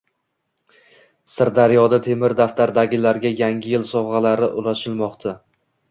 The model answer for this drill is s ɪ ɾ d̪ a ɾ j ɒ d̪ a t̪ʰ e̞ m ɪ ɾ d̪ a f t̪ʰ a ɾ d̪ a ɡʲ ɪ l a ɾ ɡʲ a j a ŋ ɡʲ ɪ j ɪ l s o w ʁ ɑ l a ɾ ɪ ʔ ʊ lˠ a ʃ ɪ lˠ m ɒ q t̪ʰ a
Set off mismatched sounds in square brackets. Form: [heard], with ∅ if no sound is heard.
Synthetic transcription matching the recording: s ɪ ɾ d̪ a ɾ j ɒ d̪ a t̪ʰ e̞ m ɪ ɾ d̪ a f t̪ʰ a ɾ d̪ a ɡʲ ɪ l a ɾ ɡʲ a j a ŋ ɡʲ ɪ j ɪ l s [ɒ] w ʁ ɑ l a ɾ ɪ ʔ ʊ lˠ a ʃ ɪ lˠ m ɒ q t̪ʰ a